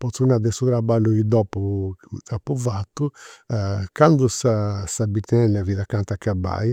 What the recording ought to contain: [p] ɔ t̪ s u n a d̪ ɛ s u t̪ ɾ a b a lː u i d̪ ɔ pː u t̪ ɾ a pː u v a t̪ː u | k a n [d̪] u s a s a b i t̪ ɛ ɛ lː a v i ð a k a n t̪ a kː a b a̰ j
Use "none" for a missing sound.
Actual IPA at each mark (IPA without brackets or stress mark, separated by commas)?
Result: p, d̪